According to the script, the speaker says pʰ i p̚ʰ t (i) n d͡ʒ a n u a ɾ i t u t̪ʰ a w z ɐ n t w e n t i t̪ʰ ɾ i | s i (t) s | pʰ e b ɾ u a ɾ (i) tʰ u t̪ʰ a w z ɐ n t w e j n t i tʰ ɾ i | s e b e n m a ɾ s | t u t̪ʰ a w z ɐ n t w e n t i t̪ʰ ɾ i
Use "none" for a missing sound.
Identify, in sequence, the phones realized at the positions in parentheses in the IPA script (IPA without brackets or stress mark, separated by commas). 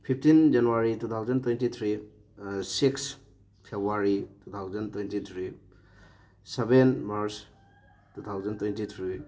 i, k, i